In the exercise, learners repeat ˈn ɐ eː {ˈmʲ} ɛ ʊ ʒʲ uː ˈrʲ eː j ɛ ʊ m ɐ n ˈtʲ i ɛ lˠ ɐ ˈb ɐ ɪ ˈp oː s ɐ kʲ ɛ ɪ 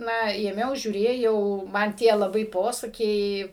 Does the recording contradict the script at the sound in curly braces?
no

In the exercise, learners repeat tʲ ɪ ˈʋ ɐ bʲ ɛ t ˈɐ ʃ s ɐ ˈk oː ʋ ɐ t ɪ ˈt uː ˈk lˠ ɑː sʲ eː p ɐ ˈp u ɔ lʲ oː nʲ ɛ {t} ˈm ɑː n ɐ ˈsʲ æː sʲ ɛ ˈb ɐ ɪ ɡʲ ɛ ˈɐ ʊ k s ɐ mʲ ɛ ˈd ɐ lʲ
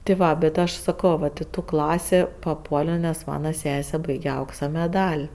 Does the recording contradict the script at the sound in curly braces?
yes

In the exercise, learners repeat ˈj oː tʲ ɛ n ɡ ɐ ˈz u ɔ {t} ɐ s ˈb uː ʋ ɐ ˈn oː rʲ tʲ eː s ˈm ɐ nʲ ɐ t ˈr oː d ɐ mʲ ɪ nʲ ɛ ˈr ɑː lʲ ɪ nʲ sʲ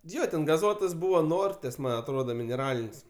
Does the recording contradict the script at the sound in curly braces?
no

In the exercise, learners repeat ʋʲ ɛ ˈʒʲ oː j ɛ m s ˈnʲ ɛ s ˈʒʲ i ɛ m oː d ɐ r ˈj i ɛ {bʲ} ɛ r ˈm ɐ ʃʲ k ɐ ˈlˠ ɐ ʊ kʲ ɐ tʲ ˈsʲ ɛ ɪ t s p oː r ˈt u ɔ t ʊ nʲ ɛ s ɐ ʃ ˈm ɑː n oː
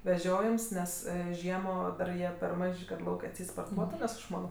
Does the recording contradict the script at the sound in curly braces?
yes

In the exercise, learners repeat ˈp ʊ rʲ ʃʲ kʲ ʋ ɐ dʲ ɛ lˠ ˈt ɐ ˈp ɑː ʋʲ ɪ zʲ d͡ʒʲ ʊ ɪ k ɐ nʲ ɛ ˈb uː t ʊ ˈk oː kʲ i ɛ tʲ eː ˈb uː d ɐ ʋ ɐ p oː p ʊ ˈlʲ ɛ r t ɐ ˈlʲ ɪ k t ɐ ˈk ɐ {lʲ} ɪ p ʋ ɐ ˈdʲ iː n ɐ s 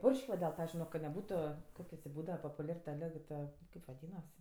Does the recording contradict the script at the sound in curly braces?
yes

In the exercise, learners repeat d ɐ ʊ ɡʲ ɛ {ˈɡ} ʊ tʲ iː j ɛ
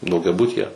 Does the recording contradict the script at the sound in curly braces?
yes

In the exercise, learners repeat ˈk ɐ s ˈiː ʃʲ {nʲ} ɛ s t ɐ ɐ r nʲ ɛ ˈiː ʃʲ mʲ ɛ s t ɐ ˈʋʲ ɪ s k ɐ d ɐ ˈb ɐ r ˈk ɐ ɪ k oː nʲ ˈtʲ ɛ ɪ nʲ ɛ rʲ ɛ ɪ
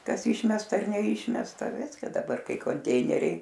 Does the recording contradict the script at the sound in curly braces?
yes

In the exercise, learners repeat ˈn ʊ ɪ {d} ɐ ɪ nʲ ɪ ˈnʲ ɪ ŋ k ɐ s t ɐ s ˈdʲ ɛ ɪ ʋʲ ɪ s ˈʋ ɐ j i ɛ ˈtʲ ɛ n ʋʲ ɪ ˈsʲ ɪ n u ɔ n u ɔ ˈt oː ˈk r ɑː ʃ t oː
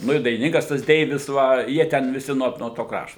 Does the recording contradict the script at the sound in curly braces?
no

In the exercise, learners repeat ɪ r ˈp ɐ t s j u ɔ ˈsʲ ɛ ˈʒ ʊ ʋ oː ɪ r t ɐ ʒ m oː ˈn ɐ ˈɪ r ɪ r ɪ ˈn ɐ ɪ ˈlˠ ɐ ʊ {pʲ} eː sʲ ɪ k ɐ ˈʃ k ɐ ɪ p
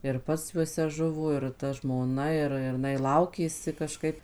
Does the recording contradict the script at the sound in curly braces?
yes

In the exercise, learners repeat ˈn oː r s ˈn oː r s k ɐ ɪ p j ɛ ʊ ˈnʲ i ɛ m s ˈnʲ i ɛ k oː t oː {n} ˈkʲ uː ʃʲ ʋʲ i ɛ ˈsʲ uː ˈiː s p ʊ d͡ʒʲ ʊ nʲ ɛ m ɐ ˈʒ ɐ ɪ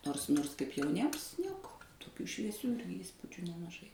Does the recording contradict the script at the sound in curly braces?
yes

